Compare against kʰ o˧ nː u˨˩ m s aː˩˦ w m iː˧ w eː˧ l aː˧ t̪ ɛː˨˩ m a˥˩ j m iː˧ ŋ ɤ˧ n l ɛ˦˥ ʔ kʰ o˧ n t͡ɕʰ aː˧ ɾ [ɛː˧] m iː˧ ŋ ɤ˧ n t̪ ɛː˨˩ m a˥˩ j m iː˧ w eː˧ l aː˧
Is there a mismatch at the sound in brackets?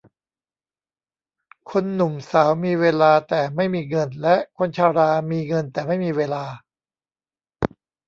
yes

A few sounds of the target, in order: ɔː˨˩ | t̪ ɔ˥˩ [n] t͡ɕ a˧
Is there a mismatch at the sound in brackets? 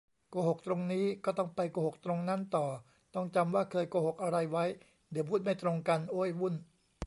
yes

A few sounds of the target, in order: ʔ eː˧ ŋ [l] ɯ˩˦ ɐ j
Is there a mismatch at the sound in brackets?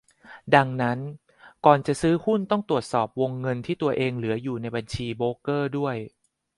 no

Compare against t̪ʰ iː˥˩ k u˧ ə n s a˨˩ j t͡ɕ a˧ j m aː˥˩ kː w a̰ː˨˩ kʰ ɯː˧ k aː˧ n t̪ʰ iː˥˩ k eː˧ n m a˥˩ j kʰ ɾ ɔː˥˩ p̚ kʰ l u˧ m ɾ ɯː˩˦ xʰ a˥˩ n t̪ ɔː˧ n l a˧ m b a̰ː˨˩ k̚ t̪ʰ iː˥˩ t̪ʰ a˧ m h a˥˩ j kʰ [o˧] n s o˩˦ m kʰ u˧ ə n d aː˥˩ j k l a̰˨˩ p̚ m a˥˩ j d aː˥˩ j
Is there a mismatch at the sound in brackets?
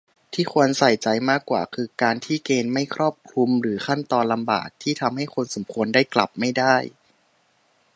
no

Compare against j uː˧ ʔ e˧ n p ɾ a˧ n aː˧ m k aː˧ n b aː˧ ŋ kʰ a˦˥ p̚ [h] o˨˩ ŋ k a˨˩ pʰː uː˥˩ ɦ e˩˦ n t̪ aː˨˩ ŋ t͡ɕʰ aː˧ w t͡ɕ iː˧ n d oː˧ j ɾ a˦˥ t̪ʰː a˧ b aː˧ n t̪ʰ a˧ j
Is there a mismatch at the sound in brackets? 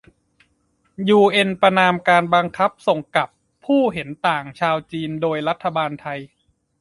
yes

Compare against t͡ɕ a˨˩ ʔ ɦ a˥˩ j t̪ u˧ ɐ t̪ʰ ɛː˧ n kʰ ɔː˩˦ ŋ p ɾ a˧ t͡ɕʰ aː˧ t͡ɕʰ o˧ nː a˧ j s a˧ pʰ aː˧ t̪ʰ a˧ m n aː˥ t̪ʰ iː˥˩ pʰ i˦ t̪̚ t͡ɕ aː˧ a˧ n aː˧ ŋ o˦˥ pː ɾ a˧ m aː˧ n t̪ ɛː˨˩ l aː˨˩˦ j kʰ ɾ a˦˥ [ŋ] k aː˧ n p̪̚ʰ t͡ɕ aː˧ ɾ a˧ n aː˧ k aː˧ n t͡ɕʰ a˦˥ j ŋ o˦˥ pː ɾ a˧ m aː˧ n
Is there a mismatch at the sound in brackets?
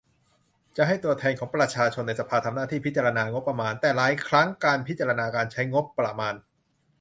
no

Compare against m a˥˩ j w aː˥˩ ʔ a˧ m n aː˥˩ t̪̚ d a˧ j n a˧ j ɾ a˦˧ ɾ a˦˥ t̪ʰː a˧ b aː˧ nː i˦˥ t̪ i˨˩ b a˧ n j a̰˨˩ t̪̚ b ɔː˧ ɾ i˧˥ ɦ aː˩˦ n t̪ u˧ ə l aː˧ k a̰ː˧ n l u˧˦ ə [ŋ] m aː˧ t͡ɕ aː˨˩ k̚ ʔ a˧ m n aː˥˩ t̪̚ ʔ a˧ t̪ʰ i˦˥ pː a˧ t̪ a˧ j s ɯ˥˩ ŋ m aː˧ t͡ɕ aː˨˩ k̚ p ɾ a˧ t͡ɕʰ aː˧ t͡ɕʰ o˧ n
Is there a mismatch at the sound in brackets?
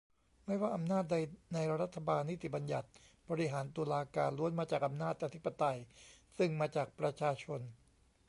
yes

